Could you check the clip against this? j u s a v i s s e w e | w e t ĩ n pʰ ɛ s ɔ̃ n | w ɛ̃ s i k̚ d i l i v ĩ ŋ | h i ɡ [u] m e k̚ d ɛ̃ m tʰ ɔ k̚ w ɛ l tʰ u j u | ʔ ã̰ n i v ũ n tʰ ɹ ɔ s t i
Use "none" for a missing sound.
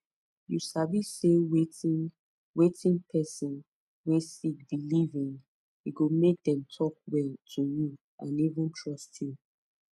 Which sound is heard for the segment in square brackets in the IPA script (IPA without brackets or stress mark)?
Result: o